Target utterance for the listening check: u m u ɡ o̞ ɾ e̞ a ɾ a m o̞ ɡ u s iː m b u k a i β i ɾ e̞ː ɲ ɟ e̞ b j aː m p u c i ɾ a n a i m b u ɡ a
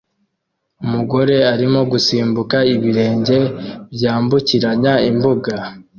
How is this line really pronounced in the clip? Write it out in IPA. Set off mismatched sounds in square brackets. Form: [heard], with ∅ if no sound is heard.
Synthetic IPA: u m u ɡ o̞ ɾ e̞ a ɾ [i] m o̞ ɡ u s iː m b u k a i β i ɾ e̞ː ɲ ɟ e̞ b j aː m [b] u c i ɾ a [ɲ] a i m b u ɡ a